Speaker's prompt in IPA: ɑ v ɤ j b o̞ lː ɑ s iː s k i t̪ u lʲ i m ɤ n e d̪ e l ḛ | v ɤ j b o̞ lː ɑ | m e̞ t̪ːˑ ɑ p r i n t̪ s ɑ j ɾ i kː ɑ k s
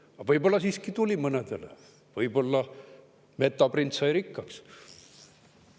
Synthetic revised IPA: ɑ v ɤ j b o̞ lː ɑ s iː s k i t̪ u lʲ i m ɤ n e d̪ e l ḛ | v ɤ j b o̞ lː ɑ | m e̞ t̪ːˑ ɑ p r i n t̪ s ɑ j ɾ i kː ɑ k s